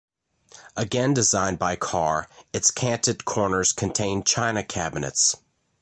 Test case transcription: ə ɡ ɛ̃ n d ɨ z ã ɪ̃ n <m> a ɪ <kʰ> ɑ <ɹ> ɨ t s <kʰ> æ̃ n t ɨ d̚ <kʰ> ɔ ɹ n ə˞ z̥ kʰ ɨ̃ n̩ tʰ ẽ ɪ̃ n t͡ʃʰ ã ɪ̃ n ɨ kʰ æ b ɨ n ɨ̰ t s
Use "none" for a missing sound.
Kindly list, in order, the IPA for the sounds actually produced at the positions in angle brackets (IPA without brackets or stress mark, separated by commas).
b, kʰ, ɹ, kʰ, kʰ